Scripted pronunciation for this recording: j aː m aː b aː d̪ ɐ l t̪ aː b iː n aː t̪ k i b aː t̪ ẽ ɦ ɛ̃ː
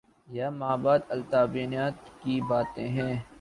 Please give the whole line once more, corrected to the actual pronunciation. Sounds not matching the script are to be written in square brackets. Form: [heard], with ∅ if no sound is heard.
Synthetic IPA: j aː m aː b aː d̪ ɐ l t̪ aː b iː n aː t̪ k i b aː t̪ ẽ ɦ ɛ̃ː